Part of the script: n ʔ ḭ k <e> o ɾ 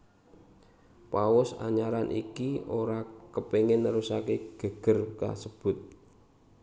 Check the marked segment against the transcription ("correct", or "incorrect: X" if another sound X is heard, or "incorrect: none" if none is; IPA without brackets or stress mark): incorrect: i